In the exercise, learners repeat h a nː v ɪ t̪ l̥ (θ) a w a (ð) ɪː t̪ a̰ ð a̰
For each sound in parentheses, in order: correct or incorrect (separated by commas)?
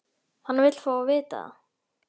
incorrect, incorrect